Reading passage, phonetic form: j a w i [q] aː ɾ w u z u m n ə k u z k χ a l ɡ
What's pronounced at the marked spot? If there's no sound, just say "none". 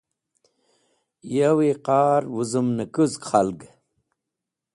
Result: q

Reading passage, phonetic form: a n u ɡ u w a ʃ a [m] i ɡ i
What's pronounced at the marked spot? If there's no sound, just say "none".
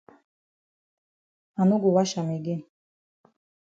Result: m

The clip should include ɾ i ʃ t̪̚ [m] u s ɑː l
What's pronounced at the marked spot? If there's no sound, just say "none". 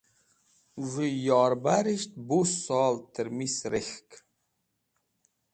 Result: b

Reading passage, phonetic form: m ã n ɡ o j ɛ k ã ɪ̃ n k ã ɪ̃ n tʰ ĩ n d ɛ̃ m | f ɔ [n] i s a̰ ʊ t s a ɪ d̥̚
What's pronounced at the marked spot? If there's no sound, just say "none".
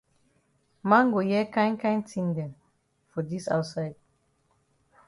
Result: d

